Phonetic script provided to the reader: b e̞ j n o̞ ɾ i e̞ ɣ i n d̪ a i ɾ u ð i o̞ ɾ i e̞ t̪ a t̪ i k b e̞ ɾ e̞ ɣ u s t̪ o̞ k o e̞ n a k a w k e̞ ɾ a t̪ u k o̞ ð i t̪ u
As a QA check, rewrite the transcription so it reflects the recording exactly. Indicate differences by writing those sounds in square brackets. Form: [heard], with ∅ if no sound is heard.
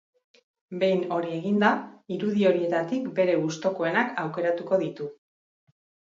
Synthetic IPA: b e̞ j n o̞ ɾ i e̞ ɣ i n d̪ a i ɾ u ð i o̞ ɾ i e̞ t̪ a t̪ i k b e̞ ɾ e̞ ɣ u s t̪ o̞ k o e̞ n a k a w k e̞ ɾ a t̪ u k o̞ ð i t̪ u